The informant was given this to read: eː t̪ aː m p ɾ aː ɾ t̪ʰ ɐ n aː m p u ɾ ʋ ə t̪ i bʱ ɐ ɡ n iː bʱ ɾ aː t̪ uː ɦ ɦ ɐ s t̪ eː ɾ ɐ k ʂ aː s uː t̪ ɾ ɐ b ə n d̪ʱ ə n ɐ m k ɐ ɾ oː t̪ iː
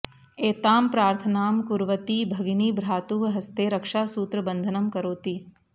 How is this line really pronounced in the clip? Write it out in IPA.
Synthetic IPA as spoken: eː t̪ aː m p ɾ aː ɾ t̪ʰ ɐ n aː m k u ɾ ʋ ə t̪ i bʱ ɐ ɡ n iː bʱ ɾ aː t̪ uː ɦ ɦ ɐ s t̪ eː ɾ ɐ k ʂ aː s uː t̪ ɾ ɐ b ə n d̪ʱ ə n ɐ m k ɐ ɾ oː t̪ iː